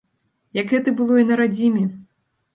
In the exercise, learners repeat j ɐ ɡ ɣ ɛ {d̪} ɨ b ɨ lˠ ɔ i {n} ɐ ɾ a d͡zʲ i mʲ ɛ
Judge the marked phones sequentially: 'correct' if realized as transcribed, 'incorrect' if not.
incorrect: t̪, correct

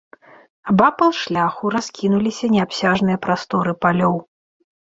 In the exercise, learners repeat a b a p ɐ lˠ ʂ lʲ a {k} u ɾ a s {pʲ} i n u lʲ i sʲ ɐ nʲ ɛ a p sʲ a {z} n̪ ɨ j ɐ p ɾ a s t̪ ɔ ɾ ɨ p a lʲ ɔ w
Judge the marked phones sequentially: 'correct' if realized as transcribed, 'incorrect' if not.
incorrect: x, incorrect: kʲ, incorrect: ʐ

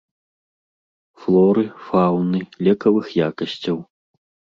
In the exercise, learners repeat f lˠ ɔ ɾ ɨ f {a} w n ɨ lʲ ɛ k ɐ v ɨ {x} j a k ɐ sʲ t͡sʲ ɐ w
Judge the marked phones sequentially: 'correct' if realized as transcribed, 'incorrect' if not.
correct, correct

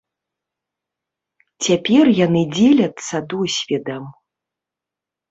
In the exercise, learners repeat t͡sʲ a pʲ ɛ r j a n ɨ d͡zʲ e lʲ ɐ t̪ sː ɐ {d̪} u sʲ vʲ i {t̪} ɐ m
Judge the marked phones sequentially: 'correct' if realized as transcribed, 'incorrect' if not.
correct, incorrect: d̪

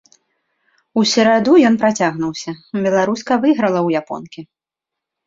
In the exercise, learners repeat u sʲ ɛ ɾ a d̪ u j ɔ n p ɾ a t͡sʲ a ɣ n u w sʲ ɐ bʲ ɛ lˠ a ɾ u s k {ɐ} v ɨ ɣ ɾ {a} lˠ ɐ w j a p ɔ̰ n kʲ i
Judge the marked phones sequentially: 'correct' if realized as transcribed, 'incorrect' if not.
correct, incorrect: ɐ

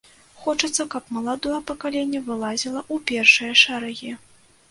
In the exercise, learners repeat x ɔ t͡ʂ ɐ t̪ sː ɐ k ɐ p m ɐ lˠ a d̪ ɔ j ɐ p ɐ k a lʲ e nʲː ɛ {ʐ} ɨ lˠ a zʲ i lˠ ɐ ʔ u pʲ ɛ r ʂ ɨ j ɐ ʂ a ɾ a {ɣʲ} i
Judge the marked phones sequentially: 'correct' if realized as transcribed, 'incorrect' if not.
incorrect: v, correct

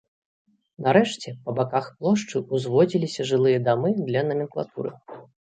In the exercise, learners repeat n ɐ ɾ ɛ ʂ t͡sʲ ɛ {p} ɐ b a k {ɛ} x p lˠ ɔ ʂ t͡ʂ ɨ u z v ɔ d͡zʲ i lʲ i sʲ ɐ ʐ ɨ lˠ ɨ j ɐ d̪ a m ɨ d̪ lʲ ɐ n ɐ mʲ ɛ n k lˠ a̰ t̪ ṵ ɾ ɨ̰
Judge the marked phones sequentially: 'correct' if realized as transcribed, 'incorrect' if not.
correct, incorrect: a

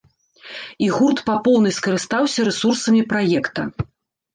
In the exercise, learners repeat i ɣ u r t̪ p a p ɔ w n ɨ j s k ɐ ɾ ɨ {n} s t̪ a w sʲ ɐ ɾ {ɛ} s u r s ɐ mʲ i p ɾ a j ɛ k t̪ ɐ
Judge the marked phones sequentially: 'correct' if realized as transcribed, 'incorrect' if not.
incorrect: none, correct

